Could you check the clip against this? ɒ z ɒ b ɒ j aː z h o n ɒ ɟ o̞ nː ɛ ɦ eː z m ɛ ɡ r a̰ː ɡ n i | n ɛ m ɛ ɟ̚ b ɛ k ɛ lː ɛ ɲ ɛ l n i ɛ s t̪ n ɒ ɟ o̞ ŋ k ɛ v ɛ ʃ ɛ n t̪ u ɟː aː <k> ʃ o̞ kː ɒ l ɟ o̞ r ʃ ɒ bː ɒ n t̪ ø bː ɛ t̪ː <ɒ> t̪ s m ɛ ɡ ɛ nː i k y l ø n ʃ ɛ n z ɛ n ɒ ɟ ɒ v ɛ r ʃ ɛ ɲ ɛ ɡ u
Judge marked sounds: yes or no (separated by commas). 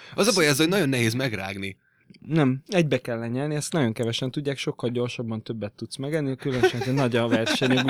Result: yes, no